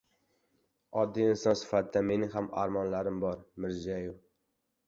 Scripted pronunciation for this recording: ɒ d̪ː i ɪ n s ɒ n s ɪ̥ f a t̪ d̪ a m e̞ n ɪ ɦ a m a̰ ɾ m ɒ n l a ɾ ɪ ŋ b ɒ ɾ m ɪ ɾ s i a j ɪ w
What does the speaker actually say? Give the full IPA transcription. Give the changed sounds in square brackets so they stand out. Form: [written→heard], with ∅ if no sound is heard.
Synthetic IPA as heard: ɒ d̪ː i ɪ n s ɒ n s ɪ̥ f a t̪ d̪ a m e̞ n ɪ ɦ a m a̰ ɾ m ɒ n l a ɾ ɪ [ŋ→m] b ɒ ɾ m ɪ ɾ [s→z] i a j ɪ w